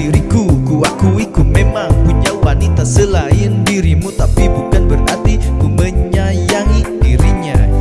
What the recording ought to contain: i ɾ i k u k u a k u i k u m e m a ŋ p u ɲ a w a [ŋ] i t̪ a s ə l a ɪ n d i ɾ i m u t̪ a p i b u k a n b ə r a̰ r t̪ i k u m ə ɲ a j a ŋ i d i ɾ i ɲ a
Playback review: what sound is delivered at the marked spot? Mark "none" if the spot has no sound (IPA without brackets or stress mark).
n